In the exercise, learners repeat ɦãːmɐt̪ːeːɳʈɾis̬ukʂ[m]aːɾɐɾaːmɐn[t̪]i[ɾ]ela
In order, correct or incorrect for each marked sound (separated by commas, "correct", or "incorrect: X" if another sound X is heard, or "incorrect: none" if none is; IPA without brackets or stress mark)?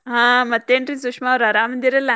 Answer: correct, incorrect: d̪, correct